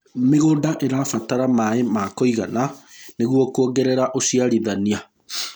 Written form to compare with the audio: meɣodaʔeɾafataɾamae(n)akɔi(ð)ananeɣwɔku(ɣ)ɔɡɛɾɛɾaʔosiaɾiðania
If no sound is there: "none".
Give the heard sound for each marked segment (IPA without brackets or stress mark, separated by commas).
m, ɣ, none